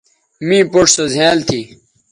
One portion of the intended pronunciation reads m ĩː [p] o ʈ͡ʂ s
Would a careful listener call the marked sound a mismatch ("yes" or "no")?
no